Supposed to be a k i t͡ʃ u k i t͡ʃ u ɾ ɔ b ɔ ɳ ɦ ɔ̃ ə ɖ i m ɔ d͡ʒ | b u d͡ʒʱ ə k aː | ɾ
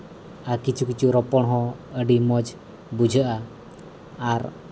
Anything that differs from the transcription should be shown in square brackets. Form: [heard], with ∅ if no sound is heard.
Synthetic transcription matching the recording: a k i t͡ʃ u k i t͡ʃ u ɾ ɔ [p] ɔ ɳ ɦ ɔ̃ ə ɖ i m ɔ d͡ʒ | b u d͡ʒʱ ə [ʔ] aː | ɾ